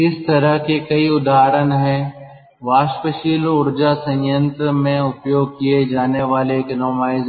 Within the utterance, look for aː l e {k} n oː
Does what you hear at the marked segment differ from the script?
no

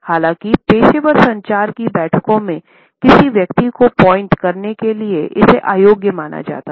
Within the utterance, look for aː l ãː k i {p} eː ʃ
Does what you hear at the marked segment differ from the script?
no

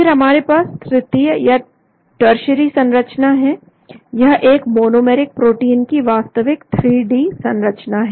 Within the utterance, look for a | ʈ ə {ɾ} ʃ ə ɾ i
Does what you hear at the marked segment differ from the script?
no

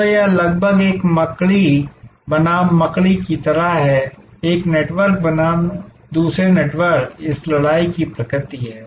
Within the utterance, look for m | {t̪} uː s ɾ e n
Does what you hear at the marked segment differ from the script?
yes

